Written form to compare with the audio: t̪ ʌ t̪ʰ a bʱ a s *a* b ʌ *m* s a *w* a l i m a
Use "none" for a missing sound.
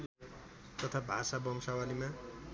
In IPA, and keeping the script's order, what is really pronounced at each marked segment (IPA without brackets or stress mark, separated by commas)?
a, m, w